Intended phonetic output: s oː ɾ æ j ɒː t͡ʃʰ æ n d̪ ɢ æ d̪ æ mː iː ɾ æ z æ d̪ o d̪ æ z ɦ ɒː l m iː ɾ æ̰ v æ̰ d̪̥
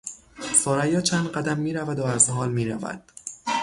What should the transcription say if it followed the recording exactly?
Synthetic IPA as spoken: s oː ɾ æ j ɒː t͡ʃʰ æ n d̪ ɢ æ d̪ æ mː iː ɾ æ v æ d̪ o æ z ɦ ɒː l m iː ɾ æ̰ v æ̰ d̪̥